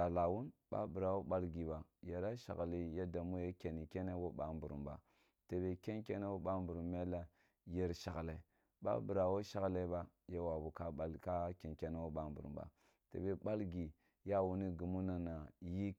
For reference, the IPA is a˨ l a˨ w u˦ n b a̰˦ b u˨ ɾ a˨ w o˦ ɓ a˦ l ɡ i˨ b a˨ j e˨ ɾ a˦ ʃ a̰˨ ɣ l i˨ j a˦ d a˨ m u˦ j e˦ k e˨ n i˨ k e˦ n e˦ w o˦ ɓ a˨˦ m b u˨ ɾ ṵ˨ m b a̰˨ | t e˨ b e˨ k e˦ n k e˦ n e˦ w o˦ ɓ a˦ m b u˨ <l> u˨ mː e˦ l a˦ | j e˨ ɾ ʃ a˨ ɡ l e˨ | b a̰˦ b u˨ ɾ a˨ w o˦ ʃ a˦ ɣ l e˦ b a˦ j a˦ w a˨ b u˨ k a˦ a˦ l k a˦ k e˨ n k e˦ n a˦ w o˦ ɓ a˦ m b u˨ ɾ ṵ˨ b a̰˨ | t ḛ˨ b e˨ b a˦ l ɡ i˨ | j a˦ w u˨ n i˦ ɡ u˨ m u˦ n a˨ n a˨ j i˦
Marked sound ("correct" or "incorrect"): incorrect